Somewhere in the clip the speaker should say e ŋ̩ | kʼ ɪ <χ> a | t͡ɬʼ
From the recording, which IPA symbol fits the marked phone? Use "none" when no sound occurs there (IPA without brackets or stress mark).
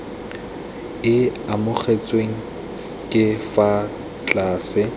f